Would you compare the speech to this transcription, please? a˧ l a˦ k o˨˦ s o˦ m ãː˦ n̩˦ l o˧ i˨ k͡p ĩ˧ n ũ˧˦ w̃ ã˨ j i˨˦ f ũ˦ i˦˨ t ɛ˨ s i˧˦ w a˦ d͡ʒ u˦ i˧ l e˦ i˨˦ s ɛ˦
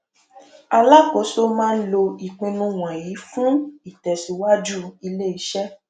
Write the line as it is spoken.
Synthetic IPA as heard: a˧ l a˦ k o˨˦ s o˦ m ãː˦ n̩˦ l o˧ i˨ k͡p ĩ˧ n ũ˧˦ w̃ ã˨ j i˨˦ f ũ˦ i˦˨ t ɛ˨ s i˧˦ w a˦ d͡ʒ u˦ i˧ l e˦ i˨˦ ʃ ɛ˦